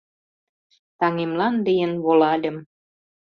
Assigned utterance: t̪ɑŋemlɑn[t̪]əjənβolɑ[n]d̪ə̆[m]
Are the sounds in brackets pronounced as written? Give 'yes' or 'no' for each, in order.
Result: no, no, yes

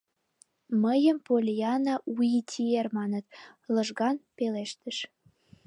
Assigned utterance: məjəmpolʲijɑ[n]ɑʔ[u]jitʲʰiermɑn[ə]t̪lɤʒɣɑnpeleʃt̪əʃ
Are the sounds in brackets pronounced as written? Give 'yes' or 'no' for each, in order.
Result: yes, yes, yes

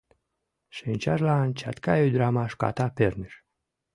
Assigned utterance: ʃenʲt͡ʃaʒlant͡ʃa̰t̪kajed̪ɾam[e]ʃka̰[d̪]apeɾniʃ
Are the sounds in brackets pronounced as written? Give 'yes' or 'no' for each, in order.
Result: no, no

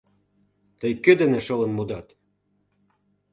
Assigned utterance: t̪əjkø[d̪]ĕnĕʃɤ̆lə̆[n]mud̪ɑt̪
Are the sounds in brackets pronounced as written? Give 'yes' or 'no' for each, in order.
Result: yes, yes

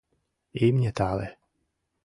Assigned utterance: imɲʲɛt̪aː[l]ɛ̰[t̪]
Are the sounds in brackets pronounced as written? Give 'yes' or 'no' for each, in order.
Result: yes, no

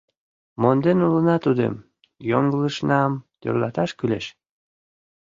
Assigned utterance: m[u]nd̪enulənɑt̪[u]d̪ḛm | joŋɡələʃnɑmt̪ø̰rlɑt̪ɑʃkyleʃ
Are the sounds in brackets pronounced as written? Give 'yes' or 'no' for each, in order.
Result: no, yes

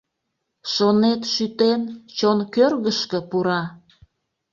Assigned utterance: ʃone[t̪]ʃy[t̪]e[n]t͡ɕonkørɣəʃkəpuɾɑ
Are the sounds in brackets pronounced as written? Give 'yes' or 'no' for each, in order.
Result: yes, yes, yes

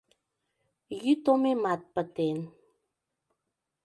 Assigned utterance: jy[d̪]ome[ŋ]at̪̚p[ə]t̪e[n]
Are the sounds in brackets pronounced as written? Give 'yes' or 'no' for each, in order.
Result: no, no, yes, yes

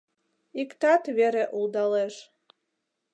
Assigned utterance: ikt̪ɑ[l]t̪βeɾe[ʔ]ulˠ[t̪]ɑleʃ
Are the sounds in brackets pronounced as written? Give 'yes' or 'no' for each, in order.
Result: no, yes, no

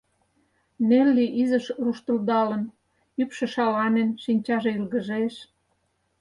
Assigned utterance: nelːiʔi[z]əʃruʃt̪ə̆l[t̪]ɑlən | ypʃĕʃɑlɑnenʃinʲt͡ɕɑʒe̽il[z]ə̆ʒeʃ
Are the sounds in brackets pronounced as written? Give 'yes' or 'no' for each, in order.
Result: yes, no, no

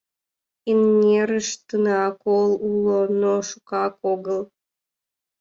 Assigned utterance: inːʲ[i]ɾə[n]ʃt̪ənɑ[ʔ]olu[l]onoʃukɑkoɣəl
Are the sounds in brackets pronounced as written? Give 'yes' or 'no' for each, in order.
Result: no, no, no, yes

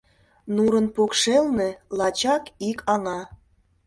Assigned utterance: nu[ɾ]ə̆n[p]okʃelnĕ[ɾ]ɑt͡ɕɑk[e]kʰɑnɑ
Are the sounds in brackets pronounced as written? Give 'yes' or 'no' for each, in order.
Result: yes, yes, no, no

